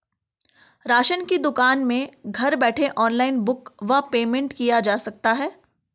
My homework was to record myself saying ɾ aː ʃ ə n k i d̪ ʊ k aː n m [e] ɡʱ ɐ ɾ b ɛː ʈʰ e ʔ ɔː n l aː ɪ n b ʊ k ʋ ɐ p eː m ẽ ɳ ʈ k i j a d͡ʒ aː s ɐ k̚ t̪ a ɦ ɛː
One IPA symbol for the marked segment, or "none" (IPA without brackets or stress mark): ẽ